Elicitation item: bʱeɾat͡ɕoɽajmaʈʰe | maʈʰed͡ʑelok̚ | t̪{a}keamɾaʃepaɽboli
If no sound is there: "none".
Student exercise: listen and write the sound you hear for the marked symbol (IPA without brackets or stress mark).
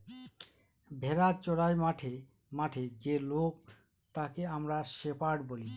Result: a